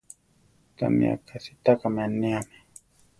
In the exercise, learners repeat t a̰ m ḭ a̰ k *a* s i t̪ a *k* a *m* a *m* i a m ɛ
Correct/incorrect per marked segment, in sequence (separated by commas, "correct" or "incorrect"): correct, correct, correct, incorrect